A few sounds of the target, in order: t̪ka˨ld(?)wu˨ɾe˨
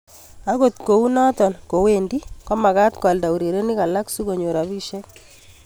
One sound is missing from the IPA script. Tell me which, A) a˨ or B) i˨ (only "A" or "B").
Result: A